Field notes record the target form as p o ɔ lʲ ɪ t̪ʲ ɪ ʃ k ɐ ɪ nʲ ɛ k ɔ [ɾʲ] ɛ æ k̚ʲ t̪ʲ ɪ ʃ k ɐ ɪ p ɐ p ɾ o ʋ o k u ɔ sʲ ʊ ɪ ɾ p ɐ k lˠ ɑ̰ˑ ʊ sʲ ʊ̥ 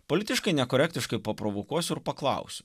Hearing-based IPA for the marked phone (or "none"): ɾʲ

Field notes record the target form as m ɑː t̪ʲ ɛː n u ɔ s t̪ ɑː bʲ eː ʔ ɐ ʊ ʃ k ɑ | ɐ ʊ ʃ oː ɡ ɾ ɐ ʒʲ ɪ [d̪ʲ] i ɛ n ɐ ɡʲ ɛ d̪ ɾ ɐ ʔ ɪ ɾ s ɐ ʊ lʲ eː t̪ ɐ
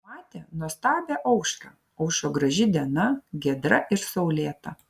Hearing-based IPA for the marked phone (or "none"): d̪ʲ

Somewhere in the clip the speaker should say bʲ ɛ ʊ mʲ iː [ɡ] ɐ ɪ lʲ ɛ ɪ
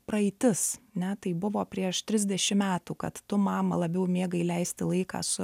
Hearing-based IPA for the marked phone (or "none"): ɡ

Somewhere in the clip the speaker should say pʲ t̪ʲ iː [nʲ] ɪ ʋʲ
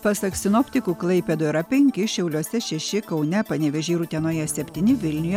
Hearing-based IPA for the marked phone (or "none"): nʲ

